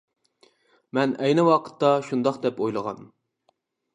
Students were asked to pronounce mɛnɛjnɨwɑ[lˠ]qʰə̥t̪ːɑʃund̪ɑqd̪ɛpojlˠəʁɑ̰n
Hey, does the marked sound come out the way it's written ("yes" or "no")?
no